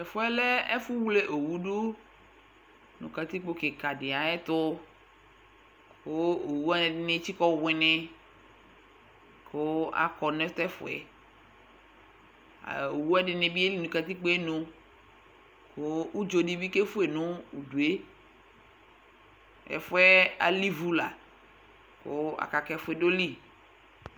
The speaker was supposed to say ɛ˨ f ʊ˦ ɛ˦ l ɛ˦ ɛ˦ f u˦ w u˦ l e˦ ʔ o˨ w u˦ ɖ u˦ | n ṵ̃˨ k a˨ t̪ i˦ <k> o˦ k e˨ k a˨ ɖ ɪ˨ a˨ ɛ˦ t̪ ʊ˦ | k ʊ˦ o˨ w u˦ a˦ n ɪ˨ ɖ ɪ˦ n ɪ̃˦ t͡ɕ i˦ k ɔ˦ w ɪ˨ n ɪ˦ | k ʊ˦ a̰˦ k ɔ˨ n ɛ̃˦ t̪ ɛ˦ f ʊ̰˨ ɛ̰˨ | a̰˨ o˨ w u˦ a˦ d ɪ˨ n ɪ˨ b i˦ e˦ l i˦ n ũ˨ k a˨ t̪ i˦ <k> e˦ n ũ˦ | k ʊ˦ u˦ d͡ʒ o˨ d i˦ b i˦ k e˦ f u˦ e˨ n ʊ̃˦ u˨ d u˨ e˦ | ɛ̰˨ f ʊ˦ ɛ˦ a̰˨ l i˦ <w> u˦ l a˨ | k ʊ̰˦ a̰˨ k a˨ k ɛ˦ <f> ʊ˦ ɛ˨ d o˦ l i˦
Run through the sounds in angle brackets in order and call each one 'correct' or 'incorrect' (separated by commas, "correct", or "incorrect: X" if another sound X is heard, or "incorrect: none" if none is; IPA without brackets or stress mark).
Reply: incorrect: k͡p, incorrect: k͡p, incorrect: v, correct